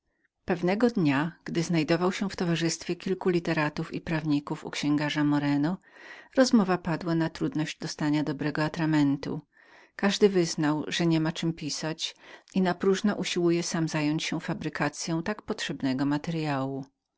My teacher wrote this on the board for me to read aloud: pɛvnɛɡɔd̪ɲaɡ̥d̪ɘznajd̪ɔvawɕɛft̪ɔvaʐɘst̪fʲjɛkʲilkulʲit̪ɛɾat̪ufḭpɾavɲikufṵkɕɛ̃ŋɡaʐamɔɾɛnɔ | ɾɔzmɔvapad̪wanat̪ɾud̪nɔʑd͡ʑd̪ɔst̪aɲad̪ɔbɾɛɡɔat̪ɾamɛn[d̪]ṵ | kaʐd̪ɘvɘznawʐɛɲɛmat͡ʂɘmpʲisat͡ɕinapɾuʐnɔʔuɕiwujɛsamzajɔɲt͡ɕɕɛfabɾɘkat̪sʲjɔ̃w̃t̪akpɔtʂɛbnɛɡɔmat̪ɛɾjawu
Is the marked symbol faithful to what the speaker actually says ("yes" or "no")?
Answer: no